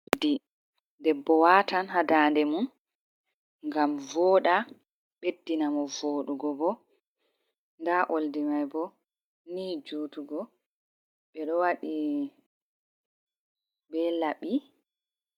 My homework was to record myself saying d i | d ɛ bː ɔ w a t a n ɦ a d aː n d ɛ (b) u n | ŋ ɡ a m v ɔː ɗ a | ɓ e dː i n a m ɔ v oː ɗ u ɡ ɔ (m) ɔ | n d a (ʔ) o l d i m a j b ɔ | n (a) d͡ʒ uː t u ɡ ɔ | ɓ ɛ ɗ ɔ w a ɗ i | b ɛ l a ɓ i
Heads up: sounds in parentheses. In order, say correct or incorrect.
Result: incorrect: m, incorrect: b, correct, incorrect: i

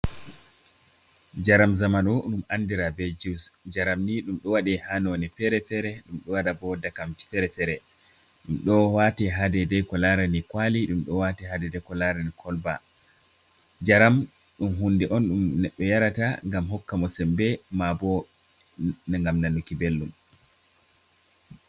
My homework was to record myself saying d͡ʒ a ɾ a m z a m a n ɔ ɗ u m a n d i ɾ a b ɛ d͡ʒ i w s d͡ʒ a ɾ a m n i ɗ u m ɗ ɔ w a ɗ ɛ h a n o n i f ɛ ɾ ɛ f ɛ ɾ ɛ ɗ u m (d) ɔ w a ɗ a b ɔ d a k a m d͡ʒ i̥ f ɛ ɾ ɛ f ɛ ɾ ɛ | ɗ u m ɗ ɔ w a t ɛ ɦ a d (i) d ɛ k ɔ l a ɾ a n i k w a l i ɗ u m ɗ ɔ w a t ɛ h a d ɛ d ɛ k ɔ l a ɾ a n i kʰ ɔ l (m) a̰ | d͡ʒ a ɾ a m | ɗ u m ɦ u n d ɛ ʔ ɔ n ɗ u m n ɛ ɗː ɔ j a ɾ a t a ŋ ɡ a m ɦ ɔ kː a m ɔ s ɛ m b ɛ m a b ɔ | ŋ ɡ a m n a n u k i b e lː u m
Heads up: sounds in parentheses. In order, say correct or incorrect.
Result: incorrect: ɗ, incorrect: ɛ, incorrect: b

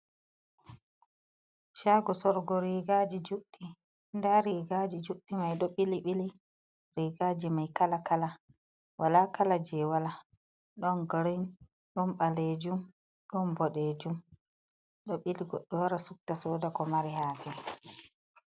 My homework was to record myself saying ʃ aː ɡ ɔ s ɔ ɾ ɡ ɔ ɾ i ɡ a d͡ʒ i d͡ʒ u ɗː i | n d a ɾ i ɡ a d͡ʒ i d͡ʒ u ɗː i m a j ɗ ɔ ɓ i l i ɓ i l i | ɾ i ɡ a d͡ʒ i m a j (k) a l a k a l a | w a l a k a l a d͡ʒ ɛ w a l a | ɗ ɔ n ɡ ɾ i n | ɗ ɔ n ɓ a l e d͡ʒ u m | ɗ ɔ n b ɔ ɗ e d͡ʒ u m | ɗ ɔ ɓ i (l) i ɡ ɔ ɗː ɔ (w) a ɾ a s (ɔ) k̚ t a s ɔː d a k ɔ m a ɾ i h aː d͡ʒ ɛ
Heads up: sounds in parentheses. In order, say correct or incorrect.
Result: correct, correct, correct, incorrect: u

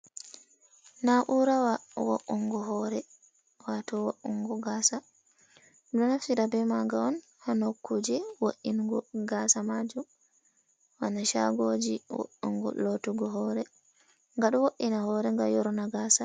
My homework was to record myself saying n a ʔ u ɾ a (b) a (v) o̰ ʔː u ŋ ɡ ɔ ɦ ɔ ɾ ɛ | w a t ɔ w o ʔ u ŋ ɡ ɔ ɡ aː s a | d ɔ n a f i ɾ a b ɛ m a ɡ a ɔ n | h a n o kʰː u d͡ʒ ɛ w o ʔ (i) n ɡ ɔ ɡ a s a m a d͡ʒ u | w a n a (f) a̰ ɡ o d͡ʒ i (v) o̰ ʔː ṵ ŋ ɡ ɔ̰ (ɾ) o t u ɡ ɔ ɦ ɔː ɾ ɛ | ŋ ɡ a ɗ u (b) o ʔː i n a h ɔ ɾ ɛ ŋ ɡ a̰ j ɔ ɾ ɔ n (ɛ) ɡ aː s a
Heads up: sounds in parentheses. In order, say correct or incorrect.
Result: incorrect: w, incorrect: w, correct, incorrect: ʃ, incorrect: w, incorrect: l, incorrect: w, incorrect: a

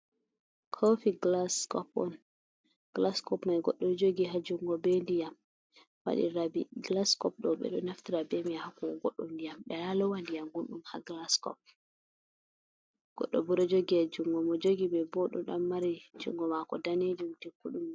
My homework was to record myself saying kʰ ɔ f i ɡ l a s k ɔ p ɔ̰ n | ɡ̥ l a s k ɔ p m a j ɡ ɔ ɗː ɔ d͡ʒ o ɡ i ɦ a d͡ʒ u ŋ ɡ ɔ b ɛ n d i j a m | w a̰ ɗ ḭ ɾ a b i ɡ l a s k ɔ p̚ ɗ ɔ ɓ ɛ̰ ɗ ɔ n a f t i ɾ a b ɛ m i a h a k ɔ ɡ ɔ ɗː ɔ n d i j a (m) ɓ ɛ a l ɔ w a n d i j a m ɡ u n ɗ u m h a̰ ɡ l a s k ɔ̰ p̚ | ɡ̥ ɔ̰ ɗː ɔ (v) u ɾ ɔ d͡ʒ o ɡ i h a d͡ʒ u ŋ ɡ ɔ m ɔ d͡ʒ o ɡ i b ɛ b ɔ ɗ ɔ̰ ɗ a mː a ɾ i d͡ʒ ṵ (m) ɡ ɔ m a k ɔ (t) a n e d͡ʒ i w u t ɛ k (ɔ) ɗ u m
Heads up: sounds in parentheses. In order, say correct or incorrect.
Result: correct, incorrect: b, incorrect: ŋ, incorrect: d, incorrect: u

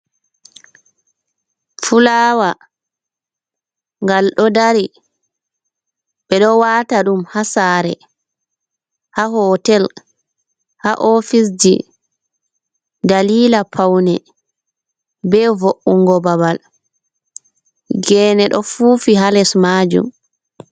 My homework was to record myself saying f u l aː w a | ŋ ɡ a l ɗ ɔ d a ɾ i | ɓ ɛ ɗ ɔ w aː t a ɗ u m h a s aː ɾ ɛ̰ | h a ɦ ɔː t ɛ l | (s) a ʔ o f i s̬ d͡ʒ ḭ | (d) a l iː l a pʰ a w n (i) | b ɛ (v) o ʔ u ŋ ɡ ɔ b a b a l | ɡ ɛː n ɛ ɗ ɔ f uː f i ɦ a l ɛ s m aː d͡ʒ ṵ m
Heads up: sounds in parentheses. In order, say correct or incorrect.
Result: incorrect: h, correct, incorrect: ɛ, correct

